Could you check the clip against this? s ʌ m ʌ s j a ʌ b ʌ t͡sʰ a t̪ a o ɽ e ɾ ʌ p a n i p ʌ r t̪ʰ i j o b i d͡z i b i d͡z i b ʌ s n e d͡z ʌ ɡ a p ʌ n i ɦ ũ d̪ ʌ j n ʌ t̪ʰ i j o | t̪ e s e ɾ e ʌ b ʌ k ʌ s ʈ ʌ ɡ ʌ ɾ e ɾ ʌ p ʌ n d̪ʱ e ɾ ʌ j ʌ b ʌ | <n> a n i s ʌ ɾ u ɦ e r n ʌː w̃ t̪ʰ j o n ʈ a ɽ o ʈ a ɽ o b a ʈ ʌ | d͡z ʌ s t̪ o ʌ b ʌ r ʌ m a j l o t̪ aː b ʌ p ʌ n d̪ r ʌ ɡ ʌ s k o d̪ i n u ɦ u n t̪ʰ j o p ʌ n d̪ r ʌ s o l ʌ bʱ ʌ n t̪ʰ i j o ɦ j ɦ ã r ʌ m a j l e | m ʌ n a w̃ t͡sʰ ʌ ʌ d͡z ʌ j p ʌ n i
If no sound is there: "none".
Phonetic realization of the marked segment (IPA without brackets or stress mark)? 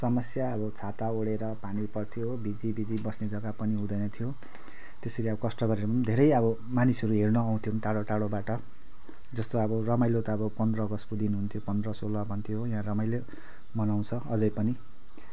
m